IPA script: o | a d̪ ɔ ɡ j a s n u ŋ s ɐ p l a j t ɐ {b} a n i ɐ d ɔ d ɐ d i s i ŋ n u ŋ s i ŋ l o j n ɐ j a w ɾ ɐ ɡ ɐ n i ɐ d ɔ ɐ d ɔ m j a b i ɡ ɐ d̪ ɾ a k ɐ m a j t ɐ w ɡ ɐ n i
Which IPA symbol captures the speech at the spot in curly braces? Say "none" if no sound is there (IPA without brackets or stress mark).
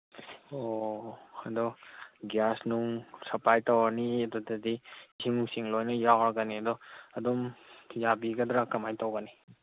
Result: w